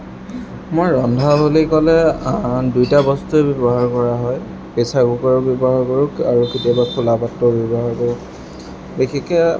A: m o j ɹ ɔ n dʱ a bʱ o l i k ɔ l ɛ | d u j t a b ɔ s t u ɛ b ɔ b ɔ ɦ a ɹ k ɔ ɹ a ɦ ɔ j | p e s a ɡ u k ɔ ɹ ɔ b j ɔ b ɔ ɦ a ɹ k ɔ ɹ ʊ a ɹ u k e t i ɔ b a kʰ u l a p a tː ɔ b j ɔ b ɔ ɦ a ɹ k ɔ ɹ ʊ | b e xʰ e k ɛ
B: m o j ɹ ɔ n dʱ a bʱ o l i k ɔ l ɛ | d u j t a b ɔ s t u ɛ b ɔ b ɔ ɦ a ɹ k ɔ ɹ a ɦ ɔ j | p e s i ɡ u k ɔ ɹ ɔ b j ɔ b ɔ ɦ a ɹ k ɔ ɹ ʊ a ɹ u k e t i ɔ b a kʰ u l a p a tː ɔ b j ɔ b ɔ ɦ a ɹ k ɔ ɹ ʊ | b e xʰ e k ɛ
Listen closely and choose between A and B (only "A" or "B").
A